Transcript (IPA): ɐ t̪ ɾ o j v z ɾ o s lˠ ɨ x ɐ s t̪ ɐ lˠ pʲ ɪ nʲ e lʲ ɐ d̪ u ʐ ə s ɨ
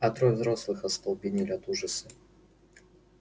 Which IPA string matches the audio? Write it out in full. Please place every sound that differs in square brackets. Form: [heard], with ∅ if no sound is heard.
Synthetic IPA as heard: ɐ t̪ ɾ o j v z ɾ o s lˠ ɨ x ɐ s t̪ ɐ lˠ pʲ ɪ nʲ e lʲ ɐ [t̪] u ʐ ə s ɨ